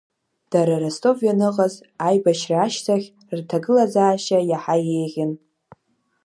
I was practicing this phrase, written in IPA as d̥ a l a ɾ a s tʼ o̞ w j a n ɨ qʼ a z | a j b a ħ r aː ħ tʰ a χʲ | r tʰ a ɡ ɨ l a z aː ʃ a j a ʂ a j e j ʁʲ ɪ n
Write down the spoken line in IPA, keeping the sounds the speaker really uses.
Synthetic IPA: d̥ a ɾ a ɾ a s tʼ o̞ v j a n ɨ qʼ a z | a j b a ʃ r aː ʃ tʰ a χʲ | r tʰ a ɡ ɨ l a z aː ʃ a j a ħ a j e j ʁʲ ɪ n